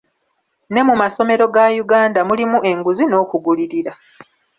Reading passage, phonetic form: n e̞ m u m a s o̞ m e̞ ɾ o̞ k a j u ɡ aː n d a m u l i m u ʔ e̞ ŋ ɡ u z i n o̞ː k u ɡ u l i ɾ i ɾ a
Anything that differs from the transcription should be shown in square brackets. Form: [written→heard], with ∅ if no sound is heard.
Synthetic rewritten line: n e̞ m u m a s o̞ m e̞ ɾ o̞ [k→ɡ] a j u ɡ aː n d a m u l i m u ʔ e̞ ŋ ɡ u z i n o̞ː k u ɡ u l i ɾ i ɾ a